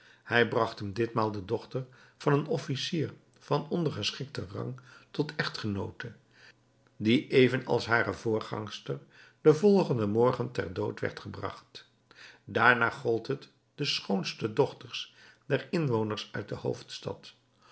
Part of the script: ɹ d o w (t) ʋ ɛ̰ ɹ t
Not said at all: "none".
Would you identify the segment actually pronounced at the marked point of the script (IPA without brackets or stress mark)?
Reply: t